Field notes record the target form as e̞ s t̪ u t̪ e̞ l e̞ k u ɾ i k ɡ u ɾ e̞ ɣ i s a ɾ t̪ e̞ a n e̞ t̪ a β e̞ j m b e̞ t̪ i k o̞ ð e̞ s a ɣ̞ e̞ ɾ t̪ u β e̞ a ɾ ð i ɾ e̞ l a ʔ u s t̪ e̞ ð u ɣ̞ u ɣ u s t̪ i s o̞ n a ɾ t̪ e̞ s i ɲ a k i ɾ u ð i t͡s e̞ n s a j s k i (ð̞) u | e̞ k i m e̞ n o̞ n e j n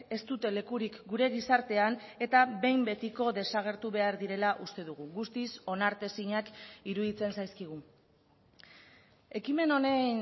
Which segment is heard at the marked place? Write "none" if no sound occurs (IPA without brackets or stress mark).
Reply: ɣ̞